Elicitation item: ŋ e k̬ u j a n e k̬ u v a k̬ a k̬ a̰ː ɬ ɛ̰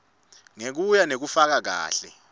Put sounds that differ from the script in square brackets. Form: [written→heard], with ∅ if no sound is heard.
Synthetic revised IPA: ŋ e k̬ u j a n e k̬ u [v→f] a k̬ a k̬ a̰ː ɬ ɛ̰